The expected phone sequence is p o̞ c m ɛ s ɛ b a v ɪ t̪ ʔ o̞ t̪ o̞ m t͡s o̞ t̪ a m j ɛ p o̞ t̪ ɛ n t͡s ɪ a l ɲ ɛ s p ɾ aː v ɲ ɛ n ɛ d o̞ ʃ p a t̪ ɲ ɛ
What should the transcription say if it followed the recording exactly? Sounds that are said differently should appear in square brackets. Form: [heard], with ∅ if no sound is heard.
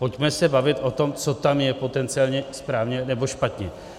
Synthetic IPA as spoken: p o̞ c m ɛ s ɛ b a v ɪ t̪ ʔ o̞ t̪ o̞ m t͡s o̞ t̪ a m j ɛ p o̞ t̪ ɛ n t͡s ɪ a l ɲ ɛ s p ɾ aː v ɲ ɛ n ɛ [b] o̞ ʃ p a t̪ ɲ ɛ

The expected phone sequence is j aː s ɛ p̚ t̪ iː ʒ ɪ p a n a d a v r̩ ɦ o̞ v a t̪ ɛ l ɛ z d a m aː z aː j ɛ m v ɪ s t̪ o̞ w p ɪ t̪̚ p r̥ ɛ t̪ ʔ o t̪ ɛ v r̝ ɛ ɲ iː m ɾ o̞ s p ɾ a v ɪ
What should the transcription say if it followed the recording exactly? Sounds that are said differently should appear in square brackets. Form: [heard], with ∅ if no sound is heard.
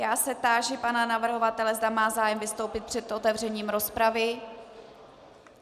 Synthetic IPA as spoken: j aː s ɛ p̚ t̪ [aː] ʒ ɪ p a n a [n] a v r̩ ɦ o̞ v a t̪ ɛ l ɛ z d a m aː z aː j ɛ m v ɪ s t̪ o̞ w p ɪ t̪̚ p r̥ ɛ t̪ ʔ o t̪ ɛ v r̝ ɛ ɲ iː m ɾ o̞ s p ɾ a v ɪ

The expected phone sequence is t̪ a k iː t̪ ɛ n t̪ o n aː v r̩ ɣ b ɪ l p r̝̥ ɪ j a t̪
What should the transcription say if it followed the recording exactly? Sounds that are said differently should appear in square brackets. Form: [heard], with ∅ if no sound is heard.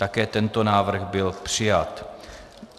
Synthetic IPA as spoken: t̪ a k [ɛː] t̪ ɛ n t̪ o n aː v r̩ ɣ b ɪ l p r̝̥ ɪ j a t̪

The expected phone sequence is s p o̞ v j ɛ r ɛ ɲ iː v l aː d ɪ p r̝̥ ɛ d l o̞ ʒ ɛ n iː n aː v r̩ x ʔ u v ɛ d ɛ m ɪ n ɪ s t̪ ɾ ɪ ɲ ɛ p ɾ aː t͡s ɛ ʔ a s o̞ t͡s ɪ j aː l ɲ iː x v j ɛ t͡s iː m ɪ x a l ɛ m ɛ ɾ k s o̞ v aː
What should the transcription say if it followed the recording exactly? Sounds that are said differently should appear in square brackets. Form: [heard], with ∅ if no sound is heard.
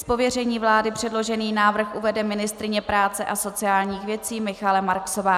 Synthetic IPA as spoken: s p o̞ v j ɛ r ɛ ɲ iː v l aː d ɪ p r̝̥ ɛ d l o̞ ʒ ɛ n iː n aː v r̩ x ʔ u v ɛ d ɛ m ɪ n ɪ s t̪ ɾ ɪ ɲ ɛ p ɾ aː t͡s ɛ ʔ a s o̞ t͡s ɪ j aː l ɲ iː x v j ɛ t͡s iː m ɪ x a l ɛ m [a] ɾ k s o̞ v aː

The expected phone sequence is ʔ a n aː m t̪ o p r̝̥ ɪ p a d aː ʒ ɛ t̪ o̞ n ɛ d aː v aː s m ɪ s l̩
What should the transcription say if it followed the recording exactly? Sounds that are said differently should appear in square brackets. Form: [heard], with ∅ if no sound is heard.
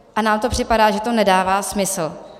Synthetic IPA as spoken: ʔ a n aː m t̪ o p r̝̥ ɪ p a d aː ʒ ɛ t̪ o̞ n ɛ d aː v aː s m ɪ s l̩

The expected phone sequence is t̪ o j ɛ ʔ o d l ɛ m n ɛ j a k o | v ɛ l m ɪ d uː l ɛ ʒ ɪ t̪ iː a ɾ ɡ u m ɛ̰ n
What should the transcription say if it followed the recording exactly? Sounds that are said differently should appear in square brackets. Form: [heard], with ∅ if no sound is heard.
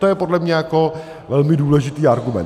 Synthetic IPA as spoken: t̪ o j ɛ [p] o d l ɛ m [ɲ] ɛ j a k o | v ɛ l m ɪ d uː l ɛ ʒ ɪ t̪ iː a ɾ ɡ u m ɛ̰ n

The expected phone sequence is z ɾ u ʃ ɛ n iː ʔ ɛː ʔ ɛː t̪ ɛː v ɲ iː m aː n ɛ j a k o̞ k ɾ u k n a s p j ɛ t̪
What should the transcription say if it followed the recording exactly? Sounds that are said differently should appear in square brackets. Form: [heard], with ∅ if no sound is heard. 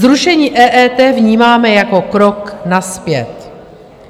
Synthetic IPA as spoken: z ɾ u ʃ ɛ [ɲ] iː ʔ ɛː ʔ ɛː t̪ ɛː v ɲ iː m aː [m] ɛ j a k o̞ k ɾ [o] k n a s p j ɛ t̪

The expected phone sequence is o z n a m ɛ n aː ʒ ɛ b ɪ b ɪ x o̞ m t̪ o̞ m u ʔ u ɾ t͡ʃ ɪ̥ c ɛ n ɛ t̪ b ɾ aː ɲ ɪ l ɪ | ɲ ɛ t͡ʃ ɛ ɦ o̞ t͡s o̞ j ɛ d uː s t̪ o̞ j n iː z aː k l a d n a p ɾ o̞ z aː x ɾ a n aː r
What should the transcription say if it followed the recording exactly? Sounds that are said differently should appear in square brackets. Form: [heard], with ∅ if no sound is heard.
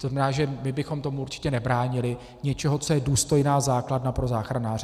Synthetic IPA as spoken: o z n a m ɛ n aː ʒ ɛ [m] ɪ b ɪ x o̞ m t̪ o̞ m u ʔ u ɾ t͡ʃ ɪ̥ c ɛ n ɛ [∅] b ɾ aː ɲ ɪ l ɪ | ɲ ɛ t͡ʃ ɛ ɦ o̞ t͡s o̞ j ɛ d uː s t̪ o̞ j n [aː] z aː k l a d n a p ɾ o̞ z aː x ɾ a n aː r

